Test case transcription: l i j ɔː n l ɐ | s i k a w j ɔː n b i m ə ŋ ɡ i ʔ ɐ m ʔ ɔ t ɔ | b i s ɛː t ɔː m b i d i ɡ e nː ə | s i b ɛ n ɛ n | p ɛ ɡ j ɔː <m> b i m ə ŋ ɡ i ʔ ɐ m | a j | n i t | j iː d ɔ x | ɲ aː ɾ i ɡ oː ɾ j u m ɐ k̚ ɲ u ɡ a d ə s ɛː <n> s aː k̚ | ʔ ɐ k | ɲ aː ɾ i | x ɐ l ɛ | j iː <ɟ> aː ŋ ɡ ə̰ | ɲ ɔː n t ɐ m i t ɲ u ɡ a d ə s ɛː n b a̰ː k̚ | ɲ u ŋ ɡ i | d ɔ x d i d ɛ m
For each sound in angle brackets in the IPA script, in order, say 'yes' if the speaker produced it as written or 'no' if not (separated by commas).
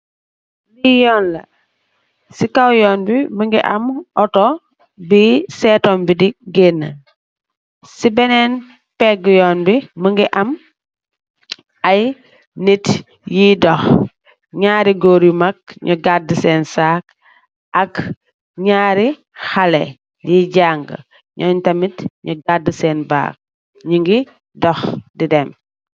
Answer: no, yes, yes